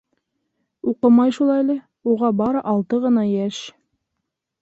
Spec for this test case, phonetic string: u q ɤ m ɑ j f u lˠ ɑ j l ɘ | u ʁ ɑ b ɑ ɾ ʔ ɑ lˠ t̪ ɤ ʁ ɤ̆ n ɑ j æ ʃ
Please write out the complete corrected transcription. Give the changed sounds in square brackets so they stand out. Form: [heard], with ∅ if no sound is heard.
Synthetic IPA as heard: u q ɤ m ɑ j [ʃ] u lˠ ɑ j l ɘ | u ʁ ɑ b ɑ ɾ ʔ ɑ lˠ t̪ ɤ ʁ ɤ̆ n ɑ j æ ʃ